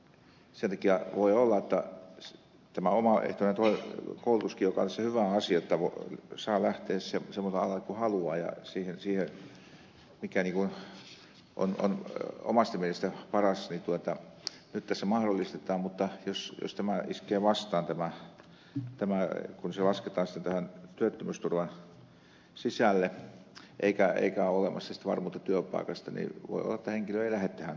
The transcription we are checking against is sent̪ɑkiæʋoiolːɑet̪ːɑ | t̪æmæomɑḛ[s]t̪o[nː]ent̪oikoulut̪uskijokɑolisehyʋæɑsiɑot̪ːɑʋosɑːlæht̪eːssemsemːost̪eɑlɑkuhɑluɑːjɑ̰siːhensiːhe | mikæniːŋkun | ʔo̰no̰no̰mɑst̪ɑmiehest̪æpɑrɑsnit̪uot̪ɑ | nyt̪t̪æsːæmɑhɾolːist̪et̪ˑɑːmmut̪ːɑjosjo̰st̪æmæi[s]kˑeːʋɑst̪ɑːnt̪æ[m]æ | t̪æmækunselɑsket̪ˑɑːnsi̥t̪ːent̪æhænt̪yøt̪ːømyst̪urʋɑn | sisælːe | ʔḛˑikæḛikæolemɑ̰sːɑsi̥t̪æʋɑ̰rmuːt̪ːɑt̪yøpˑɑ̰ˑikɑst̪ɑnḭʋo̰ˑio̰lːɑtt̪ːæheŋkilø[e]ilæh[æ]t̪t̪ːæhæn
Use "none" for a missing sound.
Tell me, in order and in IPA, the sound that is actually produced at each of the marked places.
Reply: h, n, s, m, e, e

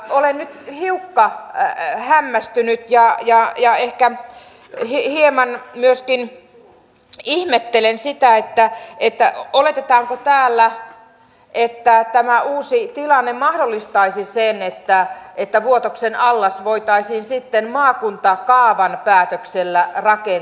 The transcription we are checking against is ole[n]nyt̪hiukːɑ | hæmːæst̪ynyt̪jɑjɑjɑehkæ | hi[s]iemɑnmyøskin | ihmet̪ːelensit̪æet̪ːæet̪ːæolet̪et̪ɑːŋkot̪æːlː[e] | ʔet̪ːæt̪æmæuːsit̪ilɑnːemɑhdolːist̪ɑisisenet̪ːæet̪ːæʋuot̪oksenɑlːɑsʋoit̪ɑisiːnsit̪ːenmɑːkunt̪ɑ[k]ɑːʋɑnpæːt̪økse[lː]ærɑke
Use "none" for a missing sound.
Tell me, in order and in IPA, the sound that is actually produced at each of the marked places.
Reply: n, h, æ, k, lː

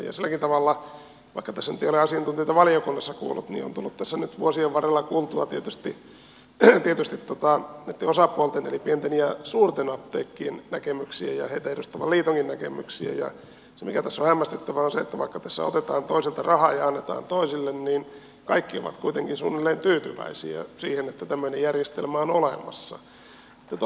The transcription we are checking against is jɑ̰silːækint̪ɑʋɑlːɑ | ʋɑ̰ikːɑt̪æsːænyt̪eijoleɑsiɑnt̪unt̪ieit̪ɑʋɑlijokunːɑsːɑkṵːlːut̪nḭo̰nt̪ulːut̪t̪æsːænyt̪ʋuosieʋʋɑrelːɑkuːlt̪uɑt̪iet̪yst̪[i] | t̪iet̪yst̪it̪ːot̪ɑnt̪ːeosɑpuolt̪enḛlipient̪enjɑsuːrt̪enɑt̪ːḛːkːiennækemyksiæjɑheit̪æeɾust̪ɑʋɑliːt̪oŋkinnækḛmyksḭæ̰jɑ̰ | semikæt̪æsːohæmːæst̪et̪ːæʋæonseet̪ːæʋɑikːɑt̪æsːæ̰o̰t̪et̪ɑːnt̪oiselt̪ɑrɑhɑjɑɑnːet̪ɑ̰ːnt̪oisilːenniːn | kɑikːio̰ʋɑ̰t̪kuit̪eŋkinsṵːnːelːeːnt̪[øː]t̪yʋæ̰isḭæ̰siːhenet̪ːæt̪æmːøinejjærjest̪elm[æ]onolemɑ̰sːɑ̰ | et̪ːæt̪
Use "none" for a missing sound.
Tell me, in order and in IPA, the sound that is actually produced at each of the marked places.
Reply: i, yː, æ

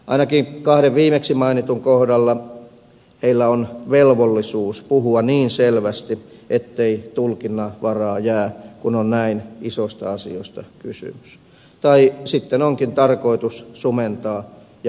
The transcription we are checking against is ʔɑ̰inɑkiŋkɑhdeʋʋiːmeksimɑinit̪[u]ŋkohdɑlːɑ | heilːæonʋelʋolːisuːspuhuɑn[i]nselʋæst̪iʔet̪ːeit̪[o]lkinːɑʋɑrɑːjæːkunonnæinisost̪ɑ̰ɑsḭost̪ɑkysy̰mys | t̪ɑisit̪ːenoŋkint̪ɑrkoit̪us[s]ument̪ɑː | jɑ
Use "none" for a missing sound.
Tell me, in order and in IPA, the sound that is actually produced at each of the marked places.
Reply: u, iː, u, s

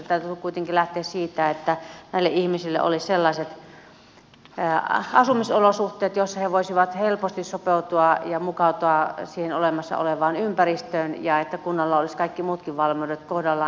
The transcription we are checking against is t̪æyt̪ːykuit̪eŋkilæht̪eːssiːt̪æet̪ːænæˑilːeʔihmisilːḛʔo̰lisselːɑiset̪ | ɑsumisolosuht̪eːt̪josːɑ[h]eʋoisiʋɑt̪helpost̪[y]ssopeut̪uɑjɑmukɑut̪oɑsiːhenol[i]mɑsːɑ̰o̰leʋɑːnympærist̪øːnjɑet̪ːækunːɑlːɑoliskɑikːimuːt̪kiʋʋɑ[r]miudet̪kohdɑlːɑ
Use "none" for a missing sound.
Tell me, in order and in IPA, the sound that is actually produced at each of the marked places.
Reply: h, i, e, l

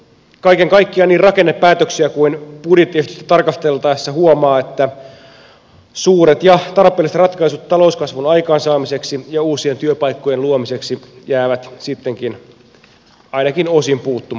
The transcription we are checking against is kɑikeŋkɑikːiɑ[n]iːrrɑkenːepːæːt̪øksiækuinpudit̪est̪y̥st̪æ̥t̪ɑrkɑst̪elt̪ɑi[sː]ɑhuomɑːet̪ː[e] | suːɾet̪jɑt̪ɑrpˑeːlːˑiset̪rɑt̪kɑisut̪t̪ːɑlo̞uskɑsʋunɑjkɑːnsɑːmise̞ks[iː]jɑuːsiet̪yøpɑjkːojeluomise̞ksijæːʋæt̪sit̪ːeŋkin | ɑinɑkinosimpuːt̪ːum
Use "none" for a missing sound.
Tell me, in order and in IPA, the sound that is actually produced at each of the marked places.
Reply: n, sː, æ, i

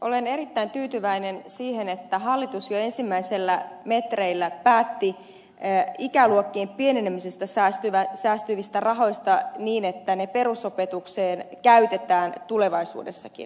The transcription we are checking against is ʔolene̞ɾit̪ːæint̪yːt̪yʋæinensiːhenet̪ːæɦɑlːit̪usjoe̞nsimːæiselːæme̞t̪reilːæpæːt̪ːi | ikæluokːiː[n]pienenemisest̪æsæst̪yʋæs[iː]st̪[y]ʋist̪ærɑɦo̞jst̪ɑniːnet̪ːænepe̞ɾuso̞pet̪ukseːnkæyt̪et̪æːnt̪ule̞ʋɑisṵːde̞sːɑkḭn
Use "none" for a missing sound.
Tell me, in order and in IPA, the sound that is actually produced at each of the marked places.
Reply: m, æː, y

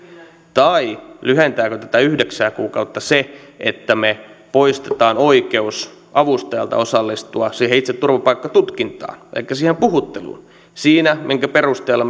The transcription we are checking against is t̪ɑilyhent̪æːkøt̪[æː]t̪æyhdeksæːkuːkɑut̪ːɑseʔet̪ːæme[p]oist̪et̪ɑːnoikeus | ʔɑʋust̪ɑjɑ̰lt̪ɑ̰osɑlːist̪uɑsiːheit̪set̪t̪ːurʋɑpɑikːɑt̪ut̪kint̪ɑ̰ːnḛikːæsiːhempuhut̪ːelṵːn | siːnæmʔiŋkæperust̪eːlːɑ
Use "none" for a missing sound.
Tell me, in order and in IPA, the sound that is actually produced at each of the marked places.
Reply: æ, p

